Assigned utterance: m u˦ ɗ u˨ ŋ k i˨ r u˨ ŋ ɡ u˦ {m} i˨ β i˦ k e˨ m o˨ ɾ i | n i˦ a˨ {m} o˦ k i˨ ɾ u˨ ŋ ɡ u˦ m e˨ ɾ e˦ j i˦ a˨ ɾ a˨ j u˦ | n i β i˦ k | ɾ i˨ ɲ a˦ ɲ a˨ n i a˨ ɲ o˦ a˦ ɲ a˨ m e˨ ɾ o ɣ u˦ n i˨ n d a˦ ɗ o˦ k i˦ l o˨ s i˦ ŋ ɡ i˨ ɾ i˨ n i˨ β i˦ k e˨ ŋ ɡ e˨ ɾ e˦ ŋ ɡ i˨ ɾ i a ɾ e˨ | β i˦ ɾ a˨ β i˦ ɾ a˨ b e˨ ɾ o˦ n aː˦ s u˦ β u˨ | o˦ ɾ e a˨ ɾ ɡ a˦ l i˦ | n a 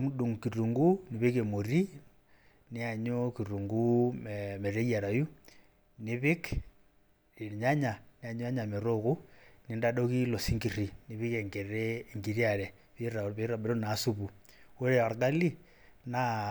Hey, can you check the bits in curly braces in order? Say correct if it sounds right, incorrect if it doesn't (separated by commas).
incorrect, incorrect